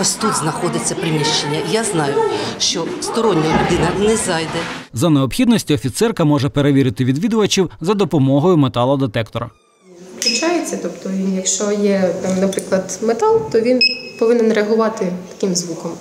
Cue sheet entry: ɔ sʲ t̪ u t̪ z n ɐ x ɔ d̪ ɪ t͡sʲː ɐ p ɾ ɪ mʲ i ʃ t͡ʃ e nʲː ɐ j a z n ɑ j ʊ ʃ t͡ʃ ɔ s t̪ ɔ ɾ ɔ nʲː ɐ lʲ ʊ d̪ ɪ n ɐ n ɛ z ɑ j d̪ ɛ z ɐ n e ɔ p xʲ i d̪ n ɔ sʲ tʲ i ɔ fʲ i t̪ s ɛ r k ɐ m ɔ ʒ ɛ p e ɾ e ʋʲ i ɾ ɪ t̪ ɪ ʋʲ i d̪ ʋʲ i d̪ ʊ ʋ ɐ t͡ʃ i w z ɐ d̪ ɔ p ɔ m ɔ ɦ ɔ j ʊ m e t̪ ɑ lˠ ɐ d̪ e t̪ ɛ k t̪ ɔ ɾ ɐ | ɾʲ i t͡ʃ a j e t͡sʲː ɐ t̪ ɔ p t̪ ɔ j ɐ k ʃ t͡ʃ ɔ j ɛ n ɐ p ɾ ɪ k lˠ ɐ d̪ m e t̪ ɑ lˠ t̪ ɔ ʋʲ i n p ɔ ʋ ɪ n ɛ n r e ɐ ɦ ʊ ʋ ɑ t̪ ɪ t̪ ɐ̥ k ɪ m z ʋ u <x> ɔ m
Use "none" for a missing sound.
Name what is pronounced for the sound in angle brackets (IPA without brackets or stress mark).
k